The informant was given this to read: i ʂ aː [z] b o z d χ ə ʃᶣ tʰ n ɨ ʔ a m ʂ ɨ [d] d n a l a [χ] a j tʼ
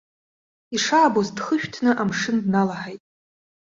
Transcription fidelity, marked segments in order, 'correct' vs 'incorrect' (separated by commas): incorrect, incorrect, incorrect